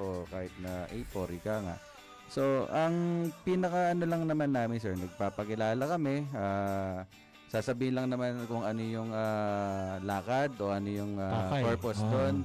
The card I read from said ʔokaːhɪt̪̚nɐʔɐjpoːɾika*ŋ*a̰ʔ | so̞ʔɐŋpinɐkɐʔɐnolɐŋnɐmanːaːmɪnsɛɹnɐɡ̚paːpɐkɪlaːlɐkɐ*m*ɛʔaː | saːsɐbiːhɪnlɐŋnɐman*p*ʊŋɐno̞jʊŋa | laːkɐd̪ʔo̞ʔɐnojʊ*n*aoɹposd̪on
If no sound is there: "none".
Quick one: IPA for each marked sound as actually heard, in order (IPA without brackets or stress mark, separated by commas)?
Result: ŋ, m, k, ŋ